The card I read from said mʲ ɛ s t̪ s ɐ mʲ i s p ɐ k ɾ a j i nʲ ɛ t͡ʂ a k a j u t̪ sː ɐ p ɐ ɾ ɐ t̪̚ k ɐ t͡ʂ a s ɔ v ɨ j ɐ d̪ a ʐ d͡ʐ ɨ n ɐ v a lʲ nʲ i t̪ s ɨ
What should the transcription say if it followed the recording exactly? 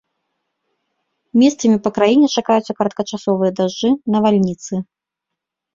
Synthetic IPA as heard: mʲ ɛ s t̪ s ɐ mʲ i p ɐ k ɾ a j i nʲ ɛ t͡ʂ a k a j u t̪ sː ɐ k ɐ ɾ ɐ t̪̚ k ɐ t͡ʂ a s ɔ v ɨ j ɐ d̪ a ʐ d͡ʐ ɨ n ɐ v a lʲ nʲ i t̪ s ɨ